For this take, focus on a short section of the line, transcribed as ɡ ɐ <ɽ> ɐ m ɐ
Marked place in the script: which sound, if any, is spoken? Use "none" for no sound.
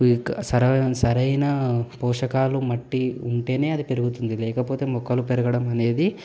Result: ɽ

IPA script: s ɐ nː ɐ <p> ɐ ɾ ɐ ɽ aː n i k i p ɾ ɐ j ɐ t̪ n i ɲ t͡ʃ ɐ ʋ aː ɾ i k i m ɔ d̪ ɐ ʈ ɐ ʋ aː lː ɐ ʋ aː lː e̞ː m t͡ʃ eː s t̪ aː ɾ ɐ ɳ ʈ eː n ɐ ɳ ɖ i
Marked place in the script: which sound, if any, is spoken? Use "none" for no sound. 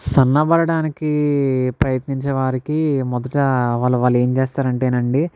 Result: b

